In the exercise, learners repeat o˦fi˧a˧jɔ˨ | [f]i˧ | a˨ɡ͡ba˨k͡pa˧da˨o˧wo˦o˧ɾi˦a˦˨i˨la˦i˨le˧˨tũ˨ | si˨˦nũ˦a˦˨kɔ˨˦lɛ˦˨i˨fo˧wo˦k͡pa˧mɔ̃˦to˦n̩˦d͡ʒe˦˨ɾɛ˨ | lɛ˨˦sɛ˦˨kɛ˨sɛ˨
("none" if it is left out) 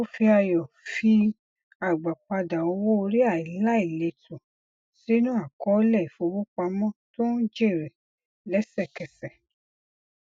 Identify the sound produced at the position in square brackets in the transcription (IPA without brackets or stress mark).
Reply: f